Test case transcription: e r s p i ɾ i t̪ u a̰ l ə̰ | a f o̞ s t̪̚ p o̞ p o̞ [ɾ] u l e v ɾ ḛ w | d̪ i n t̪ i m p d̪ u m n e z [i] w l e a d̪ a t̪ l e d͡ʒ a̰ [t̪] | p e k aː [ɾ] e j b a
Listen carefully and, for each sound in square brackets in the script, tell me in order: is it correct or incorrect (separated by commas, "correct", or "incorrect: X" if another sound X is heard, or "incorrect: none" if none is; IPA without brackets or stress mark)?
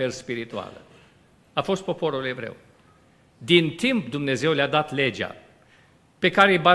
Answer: correct, incorrect: e, incorrect: none, correct